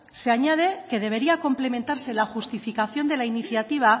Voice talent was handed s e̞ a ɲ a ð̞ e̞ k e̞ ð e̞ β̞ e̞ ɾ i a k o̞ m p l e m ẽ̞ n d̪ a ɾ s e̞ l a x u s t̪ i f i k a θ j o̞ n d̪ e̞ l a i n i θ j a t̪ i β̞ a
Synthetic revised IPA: s e̞ a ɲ a ð̞ e̞ k e̞ ð e̞ β̞ e̞ ɾ i a k o̞ m p l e m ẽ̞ n t̪ a ɾ s e̞ l a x u s t̪ i f i k a θ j o̞ n d̪ e̞ l a i n i θ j a t̪ i β̞ a